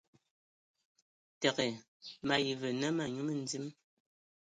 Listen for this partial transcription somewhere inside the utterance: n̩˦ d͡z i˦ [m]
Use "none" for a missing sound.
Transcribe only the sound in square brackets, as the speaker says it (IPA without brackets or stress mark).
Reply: m